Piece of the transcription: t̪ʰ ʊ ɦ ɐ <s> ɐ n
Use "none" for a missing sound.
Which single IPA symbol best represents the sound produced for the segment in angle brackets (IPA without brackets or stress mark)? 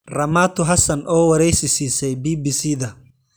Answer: s